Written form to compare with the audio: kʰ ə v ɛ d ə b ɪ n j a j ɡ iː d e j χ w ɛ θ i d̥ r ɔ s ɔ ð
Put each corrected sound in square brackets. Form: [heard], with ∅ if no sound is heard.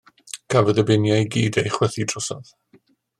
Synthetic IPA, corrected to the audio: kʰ [a] v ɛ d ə b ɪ n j a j ɡ iː d e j χ w ɛ θ i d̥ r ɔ s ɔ ð